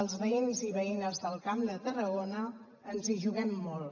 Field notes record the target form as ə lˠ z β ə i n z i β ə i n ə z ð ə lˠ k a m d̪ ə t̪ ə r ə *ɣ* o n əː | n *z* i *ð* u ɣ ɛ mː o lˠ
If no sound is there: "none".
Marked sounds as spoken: ɣ, z, ʒ

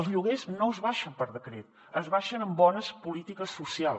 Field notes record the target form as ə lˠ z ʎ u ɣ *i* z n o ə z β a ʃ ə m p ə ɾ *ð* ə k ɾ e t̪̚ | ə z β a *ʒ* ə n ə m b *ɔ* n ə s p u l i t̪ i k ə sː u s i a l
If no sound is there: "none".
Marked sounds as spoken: e, ð, ʃ, ɔ

